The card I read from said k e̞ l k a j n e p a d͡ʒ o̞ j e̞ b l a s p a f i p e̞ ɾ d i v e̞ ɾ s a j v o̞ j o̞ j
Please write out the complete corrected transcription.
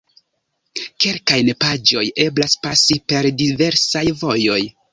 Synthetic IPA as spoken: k e̞ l k a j n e p a d͡ʒ o̞ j e̞ b l a s p a s i p e̞ ɾ d i v e̞ ɾ s a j v o̞ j o̞ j